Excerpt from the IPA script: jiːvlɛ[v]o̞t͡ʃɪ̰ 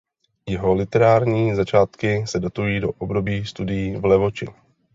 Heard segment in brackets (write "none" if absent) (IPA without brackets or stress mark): v